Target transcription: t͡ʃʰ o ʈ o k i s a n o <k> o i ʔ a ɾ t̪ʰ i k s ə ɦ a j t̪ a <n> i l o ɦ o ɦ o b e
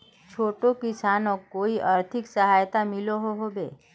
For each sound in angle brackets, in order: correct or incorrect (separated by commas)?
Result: correct, incorrect